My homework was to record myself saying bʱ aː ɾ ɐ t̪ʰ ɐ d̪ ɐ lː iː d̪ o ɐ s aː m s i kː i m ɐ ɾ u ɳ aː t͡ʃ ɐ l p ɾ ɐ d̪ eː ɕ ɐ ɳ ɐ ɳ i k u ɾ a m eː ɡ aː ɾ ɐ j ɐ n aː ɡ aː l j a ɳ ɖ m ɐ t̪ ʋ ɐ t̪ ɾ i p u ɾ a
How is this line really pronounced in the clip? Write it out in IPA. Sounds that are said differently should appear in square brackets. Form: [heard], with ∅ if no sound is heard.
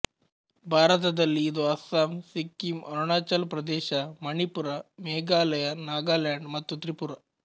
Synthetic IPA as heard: bʱ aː ɾ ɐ [t̪] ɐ d̪ ɐ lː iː d̪ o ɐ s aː m s i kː i m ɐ ɾ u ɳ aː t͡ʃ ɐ l p ɾ ɐ d̪ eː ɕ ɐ [m] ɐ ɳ i [p] u ɾ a m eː ɡ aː [l] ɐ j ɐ n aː ɡ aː l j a ɳ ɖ m ɐ t̪ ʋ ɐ t̪ ɾ i p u ɾ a